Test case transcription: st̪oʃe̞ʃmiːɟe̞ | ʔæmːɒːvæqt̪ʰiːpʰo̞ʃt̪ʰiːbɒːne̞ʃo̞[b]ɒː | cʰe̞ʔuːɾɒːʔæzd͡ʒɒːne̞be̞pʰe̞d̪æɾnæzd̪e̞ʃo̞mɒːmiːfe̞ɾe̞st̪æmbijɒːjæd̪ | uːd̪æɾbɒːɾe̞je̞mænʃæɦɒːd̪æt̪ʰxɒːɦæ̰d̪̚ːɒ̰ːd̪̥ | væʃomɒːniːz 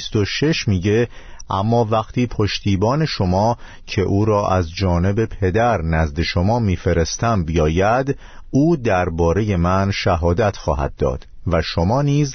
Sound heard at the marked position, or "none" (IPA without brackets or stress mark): m